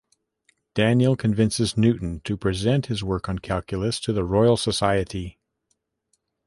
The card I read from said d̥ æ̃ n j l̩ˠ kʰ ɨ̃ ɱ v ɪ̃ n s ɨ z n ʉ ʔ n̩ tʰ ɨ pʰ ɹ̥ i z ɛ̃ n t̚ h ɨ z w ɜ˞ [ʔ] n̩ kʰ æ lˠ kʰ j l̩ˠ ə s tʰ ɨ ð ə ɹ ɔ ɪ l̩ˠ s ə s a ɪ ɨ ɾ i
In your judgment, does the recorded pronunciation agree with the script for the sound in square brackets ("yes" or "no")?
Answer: no